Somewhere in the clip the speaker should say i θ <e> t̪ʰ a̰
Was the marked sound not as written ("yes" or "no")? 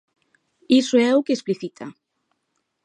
yes